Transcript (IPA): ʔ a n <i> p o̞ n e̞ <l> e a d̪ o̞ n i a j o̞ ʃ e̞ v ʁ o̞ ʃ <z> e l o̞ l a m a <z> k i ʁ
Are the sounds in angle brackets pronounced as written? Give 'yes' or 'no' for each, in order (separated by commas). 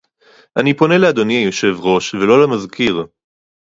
yes, yes, no, yes